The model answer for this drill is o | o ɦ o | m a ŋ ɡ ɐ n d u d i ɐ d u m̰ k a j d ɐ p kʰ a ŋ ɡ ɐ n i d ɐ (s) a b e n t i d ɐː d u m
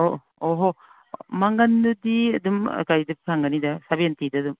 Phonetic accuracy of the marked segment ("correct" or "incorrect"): correct